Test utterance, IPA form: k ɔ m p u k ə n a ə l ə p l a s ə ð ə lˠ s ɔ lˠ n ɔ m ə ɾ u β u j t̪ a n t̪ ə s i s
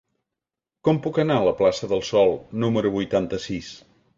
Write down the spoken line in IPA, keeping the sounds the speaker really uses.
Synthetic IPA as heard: k ɔ m p u k ə n a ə l ə p l a s ə ð ə lˠ s ɔ lˠ n u m ə ɾ u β u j t̪ a n t̪ ə s i s